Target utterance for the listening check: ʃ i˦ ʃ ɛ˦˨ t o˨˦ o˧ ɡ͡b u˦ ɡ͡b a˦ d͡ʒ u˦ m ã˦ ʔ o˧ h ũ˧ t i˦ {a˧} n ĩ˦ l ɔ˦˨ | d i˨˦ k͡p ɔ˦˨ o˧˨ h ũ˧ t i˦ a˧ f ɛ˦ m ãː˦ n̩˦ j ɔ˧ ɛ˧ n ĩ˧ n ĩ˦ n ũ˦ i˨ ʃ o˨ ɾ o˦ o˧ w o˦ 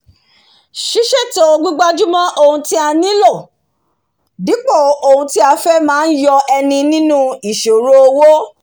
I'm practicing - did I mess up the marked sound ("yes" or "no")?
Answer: no